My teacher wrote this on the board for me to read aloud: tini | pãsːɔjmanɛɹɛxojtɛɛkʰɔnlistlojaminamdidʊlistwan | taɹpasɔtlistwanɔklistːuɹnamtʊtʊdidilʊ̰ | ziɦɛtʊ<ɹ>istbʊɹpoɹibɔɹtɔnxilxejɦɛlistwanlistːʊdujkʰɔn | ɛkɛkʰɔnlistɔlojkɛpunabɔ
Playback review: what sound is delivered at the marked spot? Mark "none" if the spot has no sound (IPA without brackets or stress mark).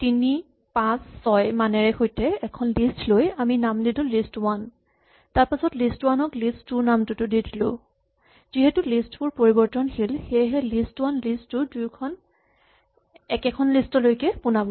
l